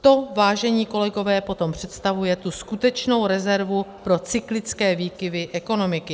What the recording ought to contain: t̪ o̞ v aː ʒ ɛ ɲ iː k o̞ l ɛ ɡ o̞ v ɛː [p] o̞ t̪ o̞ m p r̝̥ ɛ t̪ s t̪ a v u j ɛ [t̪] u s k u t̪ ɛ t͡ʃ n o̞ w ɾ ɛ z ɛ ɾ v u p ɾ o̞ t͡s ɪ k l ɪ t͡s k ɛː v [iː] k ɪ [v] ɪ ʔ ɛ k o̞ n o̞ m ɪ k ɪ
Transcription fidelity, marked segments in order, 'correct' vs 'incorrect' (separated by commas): correct, correct, correct, correct